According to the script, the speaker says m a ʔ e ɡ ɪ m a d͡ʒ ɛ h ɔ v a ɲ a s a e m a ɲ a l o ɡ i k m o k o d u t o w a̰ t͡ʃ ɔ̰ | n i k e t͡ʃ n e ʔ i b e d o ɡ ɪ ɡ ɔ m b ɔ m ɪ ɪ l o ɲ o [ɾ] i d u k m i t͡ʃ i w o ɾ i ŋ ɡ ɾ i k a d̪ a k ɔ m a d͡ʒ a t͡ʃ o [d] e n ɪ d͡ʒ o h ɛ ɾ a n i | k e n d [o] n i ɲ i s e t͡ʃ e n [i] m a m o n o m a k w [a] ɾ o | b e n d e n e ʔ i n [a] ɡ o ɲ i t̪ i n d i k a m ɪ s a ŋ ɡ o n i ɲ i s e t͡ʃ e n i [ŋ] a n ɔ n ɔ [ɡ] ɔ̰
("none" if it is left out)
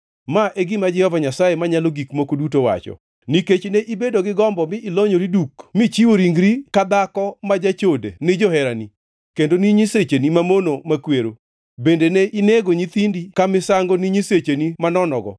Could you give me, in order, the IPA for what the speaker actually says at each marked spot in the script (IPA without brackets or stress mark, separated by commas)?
ɾ, d, o, i, e, e, m, ɡ